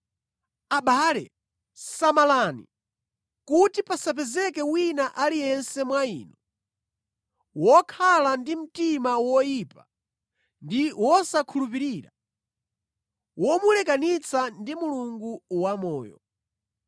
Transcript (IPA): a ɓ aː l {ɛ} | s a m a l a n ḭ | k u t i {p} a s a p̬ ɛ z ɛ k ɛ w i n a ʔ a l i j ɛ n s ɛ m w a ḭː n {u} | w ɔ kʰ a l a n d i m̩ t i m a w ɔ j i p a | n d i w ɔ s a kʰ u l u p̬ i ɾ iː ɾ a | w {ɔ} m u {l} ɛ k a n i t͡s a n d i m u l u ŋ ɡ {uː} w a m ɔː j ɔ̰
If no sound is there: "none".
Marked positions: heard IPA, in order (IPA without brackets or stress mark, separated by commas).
ɛ, p, ɔ, ɔ, l, u